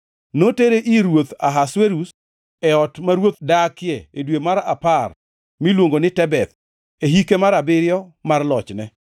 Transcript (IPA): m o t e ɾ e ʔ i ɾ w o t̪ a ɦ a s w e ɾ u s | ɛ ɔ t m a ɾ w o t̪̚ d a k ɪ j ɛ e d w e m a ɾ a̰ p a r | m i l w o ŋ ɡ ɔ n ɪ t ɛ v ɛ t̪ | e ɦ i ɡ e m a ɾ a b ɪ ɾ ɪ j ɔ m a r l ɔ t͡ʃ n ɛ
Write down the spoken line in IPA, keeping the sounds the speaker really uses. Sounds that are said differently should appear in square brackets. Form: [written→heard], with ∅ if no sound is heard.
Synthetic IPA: [m→n] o t e ɾ e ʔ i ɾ w o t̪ a ɦ a s w e ɾ u s | ɛ ɔ t m a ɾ w o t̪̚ d a k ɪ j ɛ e d w e m a ɾ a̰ p a r | m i l w o ŋ ɡ [ɔ→o] n ɪ t ɛ [v→b] ɛ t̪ | e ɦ i [ɡ→k] e m a ɾ a b ɪ ɾ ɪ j ɔ m a r l ɔ t͡ʃ n ɛ